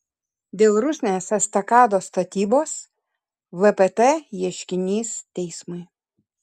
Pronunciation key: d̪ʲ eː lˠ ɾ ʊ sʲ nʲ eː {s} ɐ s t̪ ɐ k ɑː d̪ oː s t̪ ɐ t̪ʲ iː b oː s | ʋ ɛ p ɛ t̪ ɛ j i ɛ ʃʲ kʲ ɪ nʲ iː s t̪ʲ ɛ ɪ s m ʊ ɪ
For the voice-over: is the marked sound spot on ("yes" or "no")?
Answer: yes